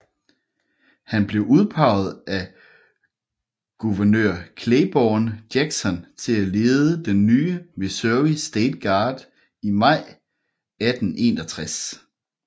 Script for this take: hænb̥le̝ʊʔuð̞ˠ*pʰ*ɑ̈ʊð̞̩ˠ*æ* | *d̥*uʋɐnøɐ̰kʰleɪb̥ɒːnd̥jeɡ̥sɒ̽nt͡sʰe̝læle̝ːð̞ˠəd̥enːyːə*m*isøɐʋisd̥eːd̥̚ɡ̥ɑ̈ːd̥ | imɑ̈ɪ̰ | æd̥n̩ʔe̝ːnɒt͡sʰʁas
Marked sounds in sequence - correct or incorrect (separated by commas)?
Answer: correct, correct, incorrect, correct